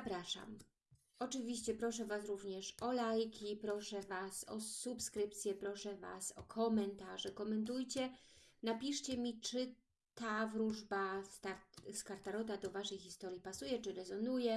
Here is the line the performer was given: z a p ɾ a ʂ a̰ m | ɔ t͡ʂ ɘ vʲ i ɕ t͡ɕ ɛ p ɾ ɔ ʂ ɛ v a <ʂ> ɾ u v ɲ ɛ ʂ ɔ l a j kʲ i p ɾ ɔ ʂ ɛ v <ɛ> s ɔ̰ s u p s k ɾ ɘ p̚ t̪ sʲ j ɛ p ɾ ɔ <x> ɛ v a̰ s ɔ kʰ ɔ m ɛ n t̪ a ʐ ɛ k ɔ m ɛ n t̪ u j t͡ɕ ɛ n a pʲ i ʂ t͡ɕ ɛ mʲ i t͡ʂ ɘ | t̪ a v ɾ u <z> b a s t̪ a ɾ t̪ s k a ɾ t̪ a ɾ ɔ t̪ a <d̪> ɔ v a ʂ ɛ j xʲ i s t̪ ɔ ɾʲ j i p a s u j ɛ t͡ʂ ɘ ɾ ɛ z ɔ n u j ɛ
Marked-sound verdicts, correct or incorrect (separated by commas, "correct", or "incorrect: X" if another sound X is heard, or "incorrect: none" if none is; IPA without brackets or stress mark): incorrect: s, incorrect: a, incorrect: ʂ, incorrect: ʐ, correct